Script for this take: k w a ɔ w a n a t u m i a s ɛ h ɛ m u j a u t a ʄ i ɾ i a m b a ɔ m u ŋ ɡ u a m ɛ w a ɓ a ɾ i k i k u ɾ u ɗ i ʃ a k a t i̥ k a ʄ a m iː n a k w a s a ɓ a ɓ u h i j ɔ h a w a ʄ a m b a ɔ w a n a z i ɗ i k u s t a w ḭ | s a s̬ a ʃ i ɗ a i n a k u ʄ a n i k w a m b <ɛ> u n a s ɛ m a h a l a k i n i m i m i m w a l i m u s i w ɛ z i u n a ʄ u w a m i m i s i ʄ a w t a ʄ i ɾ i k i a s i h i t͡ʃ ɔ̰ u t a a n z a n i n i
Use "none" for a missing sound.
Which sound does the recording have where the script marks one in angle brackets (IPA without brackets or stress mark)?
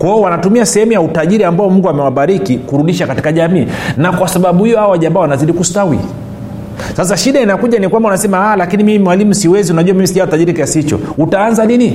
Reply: a